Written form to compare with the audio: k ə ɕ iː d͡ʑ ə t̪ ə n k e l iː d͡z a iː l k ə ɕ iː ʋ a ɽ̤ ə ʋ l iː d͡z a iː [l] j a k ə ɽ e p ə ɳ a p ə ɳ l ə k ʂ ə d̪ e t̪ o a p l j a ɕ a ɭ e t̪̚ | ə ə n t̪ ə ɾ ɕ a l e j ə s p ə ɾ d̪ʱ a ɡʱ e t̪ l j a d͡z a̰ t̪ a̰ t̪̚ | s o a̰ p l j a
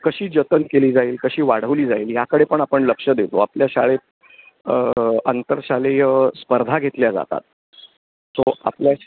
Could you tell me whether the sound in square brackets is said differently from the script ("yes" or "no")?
no